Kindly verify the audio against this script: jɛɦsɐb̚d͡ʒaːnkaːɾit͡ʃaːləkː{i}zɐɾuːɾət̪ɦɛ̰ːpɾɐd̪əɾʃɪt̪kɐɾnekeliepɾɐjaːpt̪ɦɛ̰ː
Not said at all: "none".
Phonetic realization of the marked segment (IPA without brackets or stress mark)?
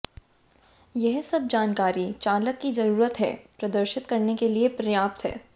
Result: i